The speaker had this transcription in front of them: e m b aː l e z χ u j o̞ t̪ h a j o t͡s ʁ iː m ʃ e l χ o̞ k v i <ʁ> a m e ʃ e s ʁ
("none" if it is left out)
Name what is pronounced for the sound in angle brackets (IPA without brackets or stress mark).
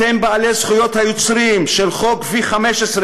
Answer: χ